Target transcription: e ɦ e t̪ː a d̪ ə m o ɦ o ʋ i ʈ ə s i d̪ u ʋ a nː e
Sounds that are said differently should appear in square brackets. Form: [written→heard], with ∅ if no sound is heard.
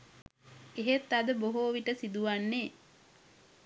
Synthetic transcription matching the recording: e ɦ e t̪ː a d̪ ə [m→b] o ɦ o ʋ i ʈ ə s i d̪ u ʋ a nː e